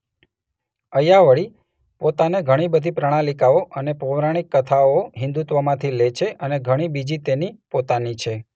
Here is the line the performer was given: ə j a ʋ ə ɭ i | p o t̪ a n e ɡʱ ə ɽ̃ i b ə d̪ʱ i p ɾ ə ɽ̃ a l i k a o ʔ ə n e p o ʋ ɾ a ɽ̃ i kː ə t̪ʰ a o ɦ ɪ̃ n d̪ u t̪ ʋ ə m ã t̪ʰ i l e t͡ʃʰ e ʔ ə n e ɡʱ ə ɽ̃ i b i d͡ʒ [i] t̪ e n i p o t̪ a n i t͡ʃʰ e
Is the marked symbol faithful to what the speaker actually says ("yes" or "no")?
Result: yes